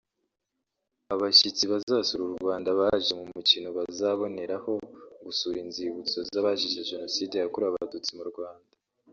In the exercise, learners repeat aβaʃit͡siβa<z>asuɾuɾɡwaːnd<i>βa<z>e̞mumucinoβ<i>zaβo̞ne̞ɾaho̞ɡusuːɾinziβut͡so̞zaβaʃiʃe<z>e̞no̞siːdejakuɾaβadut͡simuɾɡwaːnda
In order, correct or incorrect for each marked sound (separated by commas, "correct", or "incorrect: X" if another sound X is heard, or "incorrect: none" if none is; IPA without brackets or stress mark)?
correct, incorrect: a, incorrect: ʒ, incorrect: a, incorrect: ʒ